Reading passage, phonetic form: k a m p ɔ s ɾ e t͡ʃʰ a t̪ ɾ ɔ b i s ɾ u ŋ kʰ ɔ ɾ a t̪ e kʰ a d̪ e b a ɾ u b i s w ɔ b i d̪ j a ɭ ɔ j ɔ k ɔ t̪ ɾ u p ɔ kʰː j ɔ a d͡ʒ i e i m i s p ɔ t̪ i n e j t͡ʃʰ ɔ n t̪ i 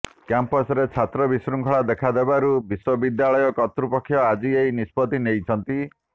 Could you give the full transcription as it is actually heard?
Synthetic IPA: k a m p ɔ s ɾ e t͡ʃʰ a t̪ ɾ ɔ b i s ɾ u ŋ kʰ ɔ ɭ a d̪ e kʰ a d̪ e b a ɾ u b i s w ɔ b i d̪ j a ɭ ɔ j ɔ k ɔ t̪ ɾ u p ɔ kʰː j ɔ a d͡ʒ i e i n i s p ɔ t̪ i n e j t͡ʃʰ ɔ n t̪ i